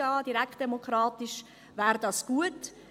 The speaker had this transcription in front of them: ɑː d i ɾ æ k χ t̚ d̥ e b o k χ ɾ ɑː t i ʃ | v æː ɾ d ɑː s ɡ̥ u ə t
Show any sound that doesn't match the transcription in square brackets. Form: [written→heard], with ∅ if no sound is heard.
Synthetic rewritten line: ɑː d i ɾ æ k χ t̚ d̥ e [b→m] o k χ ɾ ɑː t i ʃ | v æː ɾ d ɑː s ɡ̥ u ə t